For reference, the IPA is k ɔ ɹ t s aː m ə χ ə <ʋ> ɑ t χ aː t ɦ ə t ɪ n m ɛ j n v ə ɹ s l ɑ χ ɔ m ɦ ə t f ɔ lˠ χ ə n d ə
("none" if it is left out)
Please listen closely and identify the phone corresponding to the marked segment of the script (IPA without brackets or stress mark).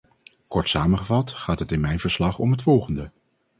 v